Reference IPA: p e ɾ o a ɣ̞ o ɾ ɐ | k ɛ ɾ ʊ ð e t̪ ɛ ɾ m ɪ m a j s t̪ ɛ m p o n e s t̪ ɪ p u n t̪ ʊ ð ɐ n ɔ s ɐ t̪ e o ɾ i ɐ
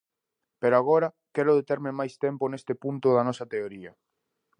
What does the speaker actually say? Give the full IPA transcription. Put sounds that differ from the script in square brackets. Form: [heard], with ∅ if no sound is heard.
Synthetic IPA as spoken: p e ɾ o a ɣ̞ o ɾ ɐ | k ɛ ɾ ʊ ð e t̪ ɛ ɾ m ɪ m a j s t̪ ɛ m p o n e s t̪ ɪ p u n t̪ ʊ ð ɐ n ɔ s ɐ t̪ e o ɾ i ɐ